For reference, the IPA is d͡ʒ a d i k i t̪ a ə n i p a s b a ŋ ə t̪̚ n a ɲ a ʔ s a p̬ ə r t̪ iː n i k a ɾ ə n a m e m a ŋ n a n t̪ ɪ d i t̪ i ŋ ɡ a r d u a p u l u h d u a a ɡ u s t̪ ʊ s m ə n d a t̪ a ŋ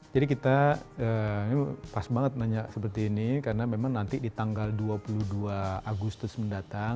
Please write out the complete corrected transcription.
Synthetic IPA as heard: d͡ʒ a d i k i t̪ a ə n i p a s b a ŋ ə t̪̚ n a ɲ a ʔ s ə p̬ ə r t̪ iː n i k a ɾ ə n a m e m a ŋ n a n t̪ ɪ d i t̪ a ŋ ɡ a l d u a p u l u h d u a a ɡ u s t̪ ʊ s m ə n d a t̪ a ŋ